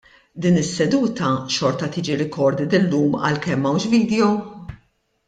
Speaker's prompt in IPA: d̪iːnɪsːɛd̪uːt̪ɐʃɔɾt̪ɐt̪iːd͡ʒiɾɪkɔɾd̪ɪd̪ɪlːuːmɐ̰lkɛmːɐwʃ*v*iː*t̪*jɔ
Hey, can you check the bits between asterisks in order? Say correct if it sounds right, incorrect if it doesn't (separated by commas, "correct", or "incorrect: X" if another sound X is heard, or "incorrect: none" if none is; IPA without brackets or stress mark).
correct, incorrect: d̪